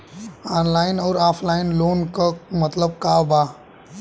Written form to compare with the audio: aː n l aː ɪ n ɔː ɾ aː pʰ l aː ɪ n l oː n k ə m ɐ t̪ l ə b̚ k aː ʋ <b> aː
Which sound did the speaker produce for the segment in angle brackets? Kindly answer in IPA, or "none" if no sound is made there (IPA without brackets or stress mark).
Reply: b